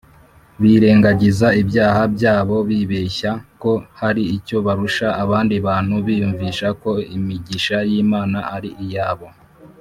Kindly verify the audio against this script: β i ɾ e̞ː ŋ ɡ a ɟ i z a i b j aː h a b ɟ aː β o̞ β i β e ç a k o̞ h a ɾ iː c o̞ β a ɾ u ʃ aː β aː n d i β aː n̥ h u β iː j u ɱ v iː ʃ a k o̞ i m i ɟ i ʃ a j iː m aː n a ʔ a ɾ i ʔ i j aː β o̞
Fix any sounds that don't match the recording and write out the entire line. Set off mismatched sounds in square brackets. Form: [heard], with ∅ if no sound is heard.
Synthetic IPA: β i ɾ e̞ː ŋ ɡ a ɟ i z a i b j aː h a b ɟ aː β o̞ β i β e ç a k o̞ h a ɾ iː c o̞ β a ɾ u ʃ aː β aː n d i β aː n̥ h u β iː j u ɱ v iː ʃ a k o̞ i m i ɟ i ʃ a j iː m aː n a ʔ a ɾ i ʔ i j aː β o̞